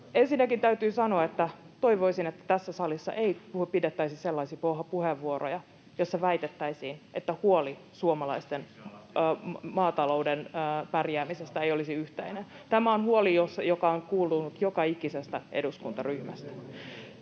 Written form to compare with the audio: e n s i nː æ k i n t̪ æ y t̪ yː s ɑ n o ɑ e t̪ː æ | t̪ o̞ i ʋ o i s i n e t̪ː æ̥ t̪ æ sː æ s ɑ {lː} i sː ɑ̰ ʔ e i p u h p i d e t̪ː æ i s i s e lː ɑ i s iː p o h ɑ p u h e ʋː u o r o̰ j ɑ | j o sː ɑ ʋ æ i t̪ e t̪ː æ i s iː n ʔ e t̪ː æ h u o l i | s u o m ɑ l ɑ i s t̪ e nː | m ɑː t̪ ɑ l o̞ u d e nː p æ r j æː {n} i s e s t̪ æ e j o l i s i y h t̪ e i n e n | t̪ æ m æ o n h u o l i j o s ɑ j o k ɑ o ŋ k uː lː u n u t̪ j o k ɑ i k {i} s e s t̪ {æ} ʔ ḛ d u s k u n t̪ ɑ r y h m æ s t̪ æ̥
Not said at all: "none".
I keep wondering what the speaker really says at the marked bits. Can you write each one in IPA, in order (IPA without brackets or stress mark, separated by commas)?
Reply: l, m, i, æ